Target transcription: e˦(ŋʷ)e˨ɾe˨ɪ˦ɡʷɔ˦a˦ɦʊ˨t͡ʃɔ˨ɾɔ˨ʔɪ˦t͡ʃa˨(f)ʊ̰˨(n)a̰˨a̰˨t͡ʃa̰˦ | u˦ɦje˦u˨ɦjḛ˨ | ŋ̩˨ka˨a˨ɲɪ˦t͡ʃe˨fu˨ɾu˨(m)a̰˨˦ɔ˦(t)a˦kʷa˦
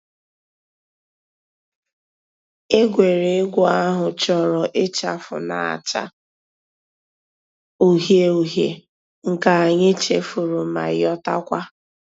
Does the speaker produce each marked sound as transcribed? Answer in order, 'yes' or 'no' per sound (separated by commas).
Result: no, yes, yes, yes, yes